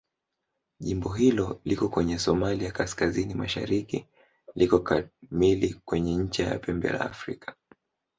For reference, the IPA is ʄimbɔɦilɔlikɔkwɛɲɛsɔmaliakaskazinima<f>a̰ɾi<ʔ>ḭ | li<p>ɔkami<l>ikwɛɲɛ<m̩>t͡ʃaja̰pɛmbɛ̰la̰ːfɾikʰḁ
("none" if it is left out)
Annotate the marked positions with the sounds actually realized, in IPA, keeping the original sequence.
ʃ, k, k, l, ɲ̩

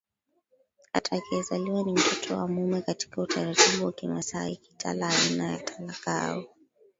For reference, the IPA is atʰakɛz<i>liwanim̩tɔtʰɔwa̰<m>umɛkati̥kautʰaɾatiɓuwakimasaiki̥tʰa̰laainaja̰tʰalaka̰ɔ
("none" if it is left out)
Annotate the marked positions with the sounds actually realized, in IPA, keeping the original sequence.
a, m

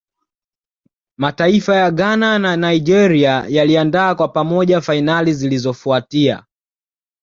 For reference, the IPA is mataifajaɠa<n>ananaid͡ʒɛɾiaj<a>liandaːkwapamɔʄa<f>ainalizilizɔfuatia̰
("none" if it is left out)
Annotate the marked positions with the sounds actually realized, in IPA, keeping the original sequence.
n, a, f

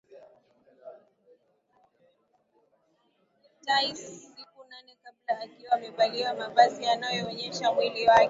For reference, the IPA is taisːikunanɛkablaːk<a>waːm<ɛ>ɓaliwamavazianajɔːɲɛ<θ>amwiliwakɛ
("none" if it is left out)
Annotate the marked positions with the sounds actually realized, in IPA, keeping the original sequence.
i, ɛ, ʃ

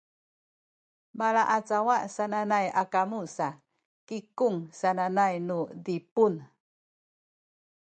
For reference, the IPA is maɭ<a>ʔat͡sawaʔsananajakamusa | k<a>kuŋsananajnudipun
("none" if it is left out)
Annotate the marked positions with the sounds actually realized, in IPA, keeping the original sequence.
a, i

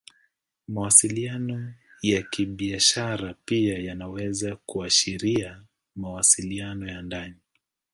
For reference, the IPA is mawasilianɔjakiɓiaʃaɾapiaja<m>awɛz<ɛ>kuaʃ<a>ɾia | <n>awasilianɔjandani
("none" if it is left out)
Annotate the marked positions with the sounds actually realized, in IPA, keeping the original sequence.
n, a, i, m

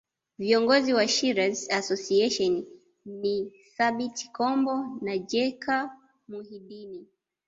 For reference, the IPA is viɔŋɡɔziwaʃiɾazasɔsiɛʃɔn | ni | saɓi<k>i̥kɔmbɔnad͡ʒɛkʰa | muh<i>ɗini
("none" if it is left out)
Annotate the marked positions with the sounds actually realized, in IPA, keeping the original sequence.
t, i

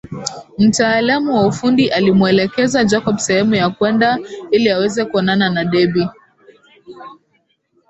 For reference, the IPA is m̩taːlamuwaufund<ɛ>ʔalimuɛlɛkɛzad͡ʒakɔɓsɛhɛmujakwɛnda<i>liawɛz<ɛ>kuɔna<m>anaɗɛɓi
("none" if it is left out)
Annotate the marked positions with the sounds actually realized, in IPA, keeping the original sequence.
i, i, ɛ, n

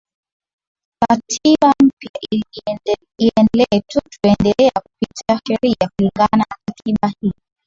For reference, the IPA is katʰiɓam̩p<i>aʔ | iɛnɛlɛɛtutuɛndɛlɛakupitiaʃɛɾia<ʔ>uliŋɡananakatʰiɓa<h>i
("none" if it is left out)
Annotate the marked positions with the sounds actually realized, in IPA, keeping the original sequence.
j, k, h

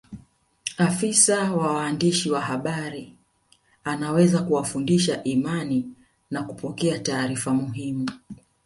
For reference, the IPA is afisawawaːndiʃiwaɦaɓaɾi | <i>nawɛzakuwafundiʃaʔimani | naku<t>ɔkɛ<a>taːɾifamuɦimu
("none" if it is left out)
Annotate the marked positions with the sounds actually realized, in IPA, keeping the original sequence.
a, p, a

